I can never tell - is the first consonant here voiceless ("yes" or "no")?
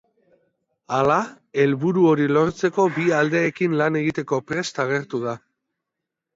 no